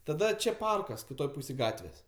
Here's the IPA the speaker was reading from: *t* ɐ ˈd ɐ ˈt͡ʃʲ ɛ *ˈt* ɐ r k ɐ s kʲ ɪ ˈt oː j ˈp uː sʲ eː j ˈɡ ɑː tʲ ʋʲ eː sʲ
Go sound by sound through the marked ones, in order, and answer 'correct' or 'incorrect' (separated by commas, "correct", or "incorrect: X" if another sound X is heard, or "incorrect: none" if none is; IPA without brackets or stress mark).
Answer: correct, incorrect: p